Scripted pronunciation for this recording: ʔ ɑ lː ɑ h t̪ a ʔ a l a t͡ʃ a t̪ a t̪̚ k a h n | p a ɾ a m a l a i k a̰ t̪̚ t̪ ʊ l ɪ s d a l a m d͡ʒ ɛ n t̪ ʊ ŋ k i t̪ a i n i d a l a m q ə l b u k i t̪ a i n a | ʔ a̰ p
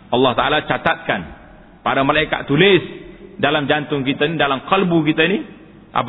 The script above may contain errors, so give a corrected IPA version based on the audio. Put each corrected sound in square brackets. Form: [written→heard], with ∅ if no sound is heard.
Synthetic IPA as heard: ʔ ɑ lː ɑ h t̪ a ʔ a l a t͡ʃ a t̪ a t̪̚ k a [h→∅] n | p a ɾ a m a l a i k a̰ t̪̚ t̪ [ʊ→u] l ɪ s d a l a m d͡ʒ [ɛ→a] n t̪ ʊ ŋ k i t̪ a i n i d a l a m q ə l b u k i t̪ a i n [a→i] | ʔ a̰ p